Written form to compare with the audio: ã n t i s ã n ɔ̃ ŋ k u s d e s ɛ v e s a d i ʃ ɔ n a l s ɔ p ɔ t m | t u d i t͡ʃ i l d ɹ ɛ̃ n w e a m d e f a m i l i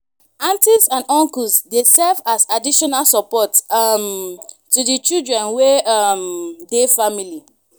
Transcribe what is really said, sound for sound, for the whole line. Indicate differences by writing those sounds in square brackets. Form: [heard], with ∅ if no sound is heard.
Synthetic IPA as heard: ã n t i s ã n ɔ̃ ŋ k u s d e s ɛ v [a] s a d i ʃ ɔ n a l s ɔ p ɔ t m | t u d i t͡ʃ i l d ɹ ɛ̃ n w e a m d e f a m i l i